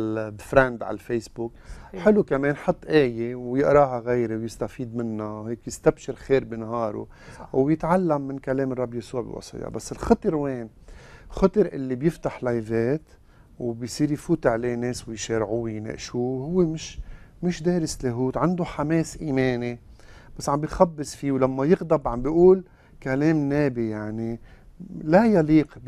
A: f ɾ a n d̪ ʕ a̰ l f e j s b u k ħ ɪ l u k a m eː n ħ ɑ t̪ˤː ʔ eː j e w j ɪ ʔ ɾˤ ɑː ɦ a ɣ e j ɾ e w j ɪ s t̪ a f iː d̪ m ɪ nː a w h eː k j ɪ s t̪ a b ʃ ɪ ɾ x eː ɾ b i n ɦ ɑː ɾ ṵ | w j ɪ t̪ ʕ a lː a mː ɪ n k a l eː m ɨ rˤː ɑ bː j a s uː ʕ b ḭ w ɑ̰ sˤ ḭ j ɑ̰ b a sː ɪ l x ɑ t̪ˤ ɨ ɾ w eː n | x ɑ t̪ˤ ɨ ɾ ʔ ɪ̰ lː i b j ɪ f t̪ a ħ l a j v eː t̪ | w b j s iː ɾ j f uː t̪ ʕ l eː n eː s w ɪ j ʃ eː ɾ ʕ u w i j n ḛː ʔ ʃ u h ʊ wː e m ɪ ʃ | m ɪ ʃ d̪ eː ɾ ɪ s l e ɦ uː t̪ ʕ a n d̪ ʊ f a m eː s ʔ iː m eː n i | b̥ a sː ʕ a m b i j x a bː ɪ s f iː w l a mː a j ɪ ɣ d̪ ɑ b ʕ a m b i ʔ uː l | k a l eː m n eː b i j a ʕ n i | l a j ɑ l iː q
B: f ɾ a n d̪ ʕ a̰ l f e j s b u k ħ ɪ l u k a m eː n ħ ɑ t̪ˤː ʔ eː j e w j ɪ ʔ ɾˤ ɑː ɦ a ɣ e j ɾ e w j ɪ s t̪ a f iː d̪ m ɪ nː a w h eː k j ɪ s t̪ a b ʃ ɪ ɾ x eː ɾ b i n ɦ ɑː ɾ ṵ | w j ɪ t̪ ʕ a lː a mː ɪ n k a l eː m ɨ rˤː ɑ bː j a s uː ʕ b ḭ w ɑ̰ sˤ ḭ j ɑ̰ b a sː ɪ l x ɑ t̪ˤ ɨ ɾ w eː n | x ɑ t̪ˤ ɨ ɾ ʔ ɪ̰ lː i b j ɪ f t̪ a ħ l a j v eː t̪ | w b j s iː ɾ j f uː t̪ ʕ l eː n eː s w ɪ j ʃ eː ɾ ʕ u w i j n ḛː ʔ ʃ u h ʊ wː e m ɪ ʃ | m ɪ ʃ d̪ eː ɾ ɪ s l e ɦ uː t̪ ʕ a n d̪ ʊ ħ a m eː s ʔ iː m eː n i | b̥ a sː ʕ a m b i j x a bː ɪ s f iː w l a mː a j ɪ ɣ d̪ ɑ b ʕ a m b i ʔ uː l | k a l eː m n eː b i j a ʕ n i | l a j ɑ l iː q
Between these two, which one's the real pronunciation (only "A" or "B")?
B